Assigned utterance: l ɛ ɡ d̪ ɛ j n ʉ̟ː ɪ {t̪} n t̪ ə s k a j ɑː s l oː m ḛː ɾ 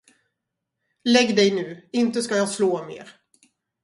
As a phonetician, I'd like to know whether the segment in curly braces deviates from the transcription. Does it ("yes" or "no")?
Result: yes